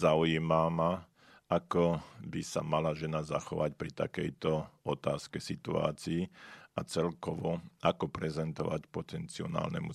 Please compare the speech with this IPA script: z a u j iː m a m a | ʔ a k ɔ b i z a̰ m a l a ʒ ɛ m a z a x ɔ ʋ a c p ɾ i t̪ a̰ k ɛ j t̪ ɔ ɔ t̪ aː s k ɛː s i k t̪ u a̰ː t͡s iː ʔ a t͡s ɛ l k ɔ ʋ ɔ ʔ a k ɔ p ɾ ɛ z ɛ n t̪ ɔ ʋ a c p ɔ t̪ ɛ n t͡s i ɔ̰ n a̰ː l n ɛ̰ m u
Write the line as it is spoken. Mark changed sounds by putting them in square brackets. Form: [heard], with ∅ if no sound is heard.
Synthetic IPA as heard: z a u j iː m a m a | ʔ a k ɔ b i [s] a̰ m a l a ʒ ɛ [n] a z a x ɔ ʋ a c p ɾ i t̪ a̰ k ɛ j t̪ ɔ ɔ t̪ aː s k [ɛ] s i [∅] t̪ u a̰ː t͡s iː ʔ a t͡s ɛ l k ɔ ʋ ɔ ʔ a k ɔ p ɾ ɛ z ɛ n t̪ ɔ ʋ a c p ɔ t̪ ɛ n t͡s i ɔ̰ n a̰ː l n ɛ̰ m u